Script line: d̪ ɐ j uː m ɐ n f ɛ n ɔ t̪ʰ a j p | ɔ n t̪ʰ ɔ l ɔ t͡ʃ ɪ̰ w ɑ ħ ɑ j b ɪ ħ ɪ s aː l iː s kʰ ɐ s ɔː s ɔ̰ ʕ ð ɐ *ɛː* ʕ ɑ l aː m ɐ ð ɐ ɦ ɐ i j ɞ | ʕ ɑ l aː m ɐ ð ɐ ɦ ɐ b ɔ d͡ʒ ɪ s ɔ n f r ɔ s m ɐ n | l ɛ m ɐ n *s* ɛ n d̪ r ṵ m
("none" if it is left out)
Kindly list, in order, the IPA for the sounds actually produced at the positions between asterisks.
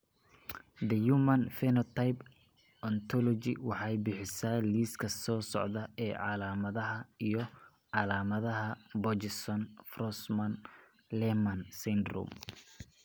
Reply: ɛː, s

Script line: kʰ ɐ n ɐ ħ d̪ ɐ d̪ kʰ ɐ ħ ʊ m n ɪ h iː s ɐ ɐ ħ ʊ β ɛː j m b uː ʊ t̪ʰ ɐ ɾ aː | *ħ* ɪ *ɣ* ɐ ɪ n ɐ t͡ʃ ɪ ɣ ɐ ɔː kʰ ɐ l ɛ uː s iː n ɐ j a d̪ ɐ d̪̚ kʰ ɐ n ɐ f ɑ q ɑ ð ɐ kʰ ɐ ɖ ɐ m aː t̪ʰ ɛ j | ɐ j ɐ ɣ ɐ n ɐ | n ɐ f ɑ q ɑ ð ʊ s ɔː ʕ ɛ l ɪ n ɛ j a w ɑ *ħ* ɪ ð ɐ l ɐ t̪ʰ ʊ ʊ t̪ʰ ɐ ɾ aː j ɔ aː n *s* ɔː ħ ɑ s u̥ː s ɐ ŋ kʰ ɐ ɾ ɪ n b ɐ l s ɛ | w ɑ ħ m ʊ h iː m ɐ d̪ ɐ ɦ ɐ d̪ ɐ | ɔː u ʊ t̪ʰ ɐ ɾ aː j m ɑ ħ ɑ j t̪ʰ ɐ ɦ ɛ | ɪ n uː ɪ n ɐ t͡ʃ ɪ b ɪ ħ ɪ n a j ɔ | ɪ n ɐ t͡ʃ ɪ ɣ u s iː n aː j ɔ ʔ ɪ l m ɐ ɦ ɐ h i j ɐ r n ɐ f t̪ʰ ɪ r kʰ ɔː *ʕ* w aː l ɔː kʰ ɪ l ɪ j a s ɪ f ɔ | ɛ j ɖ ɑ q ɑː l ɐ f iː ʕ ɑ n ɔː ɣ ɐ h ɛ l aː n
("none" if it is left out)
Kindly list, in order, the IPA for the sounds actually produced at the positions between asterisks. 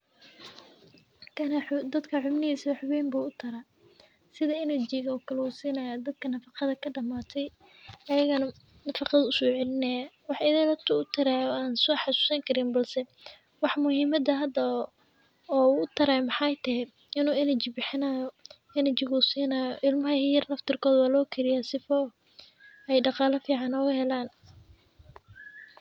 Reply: s, ð, ħ, s, ð

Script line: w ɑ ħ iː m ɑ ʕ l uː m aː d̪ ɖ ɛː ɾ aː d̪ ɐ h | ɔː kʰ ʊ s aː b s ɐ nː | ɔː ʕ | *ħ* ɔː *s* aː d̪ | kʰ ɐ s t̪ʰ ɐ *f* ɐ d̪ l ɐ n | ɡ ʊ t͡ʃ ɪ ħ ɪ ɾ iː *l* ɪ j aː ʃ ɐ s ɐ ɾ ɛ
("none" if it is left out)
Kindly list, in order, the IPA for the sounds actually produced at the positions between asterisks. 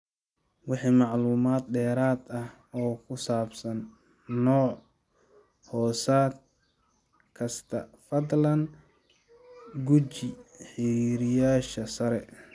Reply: h, s, f, ɾ

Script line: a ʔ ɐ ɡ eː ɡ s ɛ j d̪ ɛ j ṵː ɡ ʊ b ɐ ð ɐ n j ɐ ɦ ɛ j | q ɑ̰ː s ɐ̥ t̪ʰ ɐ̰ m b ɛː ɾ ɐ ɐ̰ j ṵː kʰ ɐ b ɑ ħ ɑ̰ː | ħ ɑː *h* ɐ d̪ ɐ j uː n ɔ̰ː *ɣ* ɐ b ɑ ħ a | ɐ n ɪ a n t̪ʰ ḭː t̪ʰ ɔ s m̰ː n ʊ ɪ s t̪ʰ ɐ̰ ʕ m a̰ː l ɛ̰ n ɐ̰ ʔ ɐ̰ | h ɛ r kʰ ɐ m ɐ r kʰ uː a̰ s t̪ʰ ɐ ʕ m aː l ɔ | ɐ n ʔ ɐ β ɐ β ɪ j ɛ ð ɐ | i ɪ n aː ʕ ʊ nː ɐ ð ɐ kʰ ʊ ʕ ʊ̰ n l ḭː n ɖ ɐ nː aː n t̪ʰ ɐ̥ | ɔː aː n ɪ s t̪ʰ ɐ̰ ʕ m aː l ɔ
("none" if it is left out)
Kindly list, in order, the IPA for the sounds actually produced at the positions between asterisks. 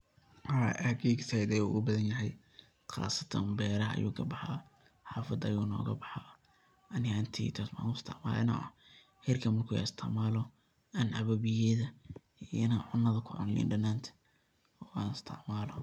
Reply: f, ɣ

